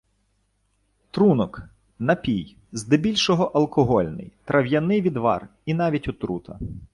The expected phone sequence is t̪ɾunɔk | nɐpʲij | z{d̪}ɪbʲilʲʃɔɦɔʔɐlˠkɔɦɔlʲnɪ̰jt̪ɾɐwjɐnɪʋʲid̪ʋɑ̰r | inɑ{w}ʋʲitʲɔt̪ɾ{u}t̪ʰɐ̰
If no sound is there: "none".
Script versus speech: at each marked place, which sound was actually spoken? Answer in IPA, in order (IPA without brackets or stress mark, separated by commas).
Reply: d̪, none, u